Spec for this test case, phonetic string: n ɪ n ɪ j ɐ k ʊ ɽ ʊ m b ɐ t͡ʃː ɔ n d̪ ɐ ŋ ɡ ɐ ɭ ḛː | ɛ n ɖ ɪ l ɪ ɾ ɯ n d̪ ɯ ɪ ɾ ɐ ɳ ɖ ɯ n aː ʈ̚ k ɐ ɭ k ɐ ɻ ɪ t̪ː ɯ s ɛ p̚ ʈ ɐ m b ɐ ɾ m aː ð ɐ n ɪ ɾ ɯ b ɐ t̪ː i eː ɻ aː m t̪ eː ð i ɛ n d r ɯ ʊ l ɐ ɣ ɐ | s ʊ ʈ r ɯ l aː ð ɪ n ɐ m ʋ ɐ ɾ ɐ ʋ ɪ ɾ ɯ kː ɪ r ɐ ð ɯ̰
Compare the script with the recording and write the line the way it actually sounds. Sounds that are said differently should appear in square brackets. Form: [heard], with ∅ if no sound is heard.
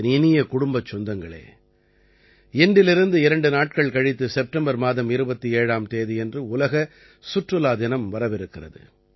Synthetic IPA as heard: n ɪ n ɪ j ɐ k ʊ ɽ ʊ m b ɐ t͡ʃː ɔ n d̪ ɐ ŋ ɡ ɐ ɭ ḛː | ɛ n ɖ ɪ l ɪ ɾ ɯ n d̪ ɯ ɪ ɾ ɐ ɳ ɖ ɯ n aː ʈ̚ k ɐ ɭ k ɐ ɻ ɪ t̪ː ɯ s ɛ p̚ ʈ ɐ m b ɐ ɾ m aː ð ɐ [m] ɪ ɾ ɯ b ɐ t̪ː i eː ɻ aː m t̪ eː ð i ɛ n d r ɯ ʊ l ɐ ɣ ɐ | s ʊ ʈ r ɯ l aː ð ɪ n ɐ m ʋ ɐ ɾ ɐ ʋ ɪ ɾ ɯ kː ɪ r ɐ ð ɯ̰